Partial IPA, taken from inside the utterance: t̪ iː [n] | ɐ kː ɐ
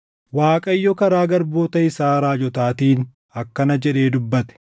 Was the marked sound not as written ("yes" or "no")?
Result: no